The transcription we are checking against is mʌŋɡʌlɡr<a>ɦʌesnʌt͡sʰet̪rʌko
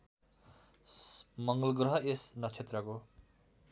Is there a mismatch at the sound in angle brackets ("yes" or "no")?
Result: yes